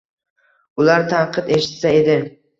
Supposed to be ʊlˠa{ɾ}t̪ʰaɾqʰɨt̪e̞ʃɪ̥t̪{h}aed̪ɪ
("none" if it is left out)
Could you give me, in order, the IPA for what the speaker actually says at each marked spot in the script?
ɾ, s

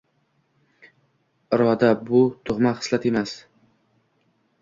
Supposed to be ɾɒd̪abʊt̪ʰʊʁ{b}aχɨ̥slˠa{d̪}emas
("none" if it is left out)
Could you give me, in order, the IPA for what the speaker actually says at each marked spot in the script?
m, t̪

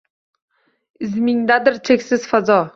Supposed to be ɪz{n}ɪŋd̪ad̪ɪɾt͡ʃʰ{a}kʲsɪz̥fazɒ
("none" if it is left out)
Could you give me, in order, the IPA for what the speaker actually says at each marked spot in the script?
m, e

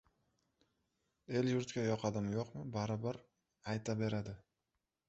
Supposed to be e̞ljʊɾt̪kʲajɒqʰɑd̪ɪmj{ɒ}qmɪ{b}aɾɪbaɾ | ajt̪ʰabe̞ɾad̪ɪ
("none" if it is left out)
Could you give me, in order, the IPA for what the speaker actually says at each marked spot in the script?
o, b

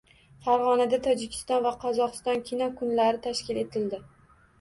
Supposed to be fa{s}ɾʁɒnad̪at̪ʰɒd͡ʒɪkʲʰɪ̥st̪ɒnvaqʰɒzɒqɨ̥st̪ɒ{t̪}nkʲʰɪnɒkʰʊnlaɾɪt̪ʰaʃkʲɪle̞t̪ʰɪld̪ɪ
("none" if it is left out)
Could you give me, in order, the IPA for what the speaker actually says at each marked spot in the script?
none, none

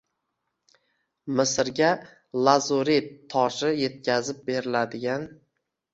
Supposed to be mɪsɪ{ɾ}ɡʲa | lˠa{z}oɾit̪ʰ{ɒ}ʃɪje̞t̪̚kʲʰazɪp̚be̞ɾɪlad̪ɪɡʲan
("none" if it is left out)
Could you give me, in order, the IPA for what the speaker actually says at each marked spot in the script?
ɾ, z, ɒ

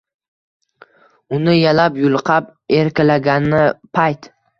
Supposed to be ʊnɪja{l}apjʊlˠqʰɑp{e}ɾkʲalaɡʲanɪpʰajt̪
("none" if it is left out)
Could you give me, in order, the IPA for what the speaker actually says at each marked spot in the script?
l, e

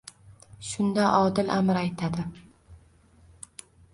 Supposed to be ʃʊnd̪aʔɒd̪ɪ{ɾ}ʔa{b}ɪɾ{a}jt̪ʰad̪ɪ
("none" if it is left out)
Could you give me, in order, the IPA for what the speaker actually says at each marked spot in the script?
l, m, a

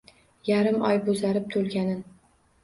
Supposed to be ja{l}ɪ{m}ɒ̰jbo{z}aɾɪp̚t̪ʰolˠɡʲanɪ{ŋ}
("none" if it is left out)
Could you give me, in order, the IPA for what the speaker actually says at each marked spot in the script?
ɾ, m, z, n

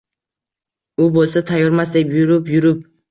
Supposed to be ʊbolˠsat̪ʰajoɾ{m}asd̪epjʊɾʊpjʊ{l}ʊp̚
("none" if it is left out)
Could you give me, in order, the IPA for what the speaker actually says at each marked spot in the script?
m, ɾ

